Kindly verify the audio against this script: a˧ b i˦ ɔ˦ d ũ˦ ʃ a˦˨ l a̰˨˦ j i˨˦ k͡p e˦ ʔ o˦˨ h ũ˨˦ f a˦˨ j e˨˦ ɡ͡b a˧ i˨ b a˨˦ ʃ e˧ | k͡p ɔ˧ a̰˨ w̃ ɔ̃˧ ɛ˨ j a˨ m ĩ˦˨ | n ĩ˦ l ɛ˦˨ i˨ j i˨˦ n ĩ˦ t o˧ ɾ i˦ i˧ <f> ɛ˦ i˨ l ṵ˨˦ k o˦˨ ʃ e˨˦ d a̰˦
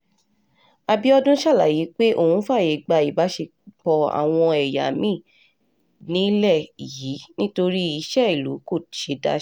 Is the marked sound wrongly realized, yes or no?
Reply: yes